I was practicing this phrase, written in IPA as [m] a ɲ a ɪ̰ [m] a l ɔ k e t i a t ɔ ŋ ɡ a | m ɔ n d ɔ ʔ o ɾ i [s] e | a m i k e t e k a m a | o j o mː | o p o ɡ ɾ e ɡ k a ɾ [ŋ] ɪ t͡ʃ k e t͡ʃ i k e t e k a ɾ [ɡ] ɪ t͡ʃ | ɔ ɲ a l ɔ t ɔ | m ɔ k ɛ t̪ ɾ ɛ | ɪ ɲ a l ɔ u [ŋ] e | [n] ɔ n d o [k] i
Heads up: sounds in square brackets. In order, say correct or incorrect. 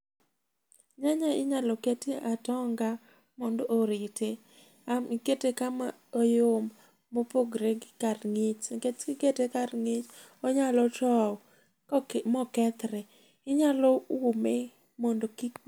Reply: incorrect, incorrect, incorrect, correct, incorrect, incorrect, incorrect, correct

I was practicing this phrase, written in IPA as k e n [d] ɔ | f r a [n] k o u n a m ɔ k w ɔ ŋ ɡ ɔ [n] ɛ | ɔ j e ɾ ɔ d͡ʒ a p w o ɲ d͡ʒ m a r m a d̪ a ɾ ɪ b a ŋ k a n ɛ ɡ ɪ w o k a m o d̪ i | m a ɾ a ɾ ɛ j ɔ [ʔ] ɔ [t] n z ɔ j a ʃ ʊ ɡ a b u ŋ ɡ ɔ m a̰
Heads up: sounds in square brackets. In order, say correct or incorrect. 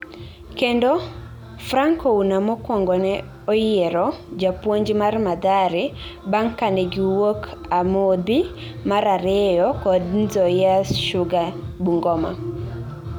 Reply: correct, incorrect, correct, incorrect, incorrect

